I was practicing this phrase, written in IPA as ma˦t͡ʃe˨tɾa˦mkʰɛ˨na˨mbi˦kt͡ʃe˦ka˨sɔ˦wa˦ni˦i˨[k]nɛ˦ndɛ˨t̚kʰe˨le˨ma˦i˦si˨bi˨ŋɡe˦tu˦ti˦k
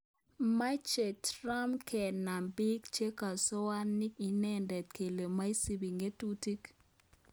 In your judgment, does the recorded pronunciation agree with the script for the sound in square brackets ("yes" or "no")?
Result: no